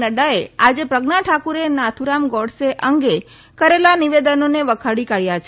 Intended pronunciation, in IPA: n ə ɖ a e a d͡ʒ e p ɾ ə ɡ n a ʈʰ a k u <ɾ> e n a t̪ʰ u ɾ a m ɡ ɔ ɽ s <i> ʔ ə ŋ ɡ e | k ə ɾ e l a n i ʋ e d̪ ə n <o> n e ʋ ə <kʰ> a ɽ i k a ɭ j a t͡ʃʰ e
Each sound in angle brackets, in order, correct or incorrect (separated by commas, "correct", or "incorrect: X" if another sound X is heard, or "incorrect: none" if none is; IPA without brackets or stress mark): correct, incorrect: e, correct, correct